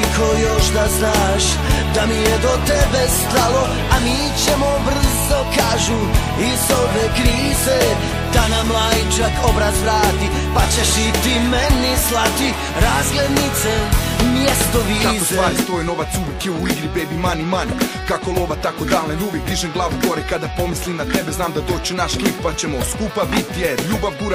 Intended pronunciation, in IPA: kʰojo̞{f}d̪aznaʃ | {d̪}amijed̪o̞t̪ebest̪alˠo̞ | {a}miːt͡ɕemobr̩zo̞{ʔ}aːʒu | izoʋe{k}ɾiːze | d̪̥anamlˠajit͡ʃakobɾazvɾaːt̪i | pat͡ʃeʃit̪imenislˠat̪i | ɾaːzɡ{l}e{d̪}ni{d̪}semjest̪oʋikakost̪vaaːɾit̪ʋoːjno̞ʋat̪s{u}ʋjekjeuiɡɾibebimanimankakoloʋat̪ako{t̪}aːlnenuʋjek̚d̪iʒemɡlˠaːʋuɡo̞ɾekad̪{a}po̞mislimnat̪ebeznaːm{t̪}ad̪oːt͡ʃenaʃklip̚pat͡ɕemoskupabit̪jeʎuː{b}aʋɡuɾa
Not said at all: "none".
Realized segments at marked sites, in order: ʃ, d̪, a, k, k, l, d̪, t̪, u, d̪, a, d̪, b

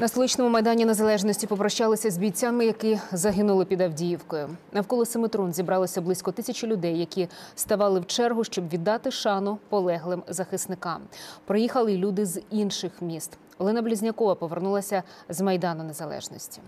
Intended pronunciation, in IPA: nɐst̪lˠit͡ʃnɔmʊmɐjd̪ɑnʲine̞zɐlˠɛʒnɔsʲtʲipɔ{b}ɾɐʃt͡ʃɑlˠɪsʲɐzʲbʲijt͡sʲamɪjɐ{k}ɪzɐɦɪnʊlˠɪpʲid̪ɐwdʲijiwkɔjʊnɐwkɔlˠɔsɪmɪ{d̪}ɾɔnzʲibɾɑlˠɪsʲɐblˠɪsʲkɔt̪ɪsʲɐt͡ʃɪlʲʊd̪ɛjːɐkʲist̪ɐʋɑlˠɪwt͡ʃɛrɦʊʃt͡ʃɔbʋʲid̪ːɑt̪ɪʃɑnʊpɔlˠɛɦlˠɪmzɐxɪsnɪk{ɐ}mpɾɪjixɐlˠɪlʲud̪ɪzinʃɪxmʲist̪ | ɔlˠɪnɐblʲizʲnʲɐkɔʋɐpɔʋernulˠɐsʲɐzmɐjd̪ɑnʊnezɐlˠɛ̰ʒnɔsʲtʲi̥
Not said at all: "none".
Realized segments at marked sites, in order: p, k, t̪, ɑ

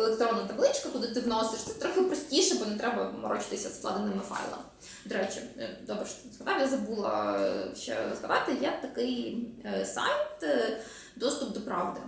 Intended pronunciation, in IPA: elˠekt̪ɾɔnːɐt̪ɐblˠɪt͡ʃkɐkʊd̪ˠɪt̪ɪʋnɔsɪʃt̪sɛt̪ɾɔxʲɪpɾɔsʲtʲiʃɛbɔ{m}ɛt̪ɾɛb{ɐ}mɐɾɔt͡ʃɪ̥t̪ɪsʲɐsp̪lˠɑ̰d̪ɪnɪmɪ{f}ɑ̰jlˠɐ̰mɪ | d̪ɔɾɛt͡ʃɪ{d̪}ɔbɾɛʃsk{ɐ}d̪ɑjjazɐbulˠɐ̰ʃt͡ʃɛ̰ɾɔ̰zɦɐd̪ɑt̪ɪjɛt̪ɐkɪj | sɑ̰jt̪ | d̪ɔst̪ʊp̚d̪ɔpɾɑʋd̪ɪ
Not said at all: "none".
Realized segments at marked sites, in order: n, ɐ, f, d̪, ɐ

